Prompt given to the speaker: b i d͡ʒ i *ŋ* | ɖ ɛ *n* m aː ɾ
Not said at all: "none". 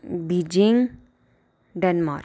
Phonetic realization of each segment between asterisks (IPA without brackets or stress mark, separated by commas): ŋ, n